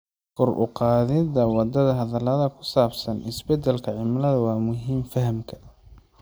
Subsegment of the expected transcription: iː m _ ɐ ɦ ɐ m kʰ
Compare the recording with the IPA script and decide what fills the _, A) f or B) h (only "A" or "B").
A